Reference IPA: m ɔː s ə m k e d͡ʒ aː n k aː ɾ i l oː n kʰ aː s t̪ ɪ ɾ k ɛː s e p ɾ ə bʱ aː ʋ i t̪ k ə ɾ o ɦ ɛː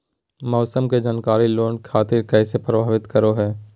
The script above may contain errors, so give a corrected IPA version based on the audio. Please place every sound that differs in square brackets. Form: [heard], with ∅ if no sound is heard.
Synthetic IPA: m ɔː s ə m k e d͡ʒ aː n k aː ɾ i l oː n kʰ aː [∅] t̪ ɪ ɾ k ɛː s e p ɾ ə bʱ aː ʋ [ɪ] t̪ k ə ɾ o ɦ ɛː